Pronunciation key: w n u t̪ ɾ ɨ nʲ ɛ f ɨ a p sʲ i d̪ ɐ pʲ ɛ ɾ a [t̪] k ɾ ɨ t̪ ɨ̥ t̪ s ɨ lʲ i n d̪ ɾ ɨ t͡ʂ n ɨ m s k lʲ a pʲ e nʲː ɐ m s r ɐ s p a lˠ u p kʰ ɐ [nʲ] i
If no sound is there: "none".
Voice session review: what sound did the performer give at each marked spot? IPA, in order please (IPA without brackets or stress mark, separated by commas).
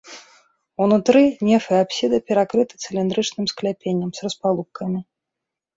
none, mʲ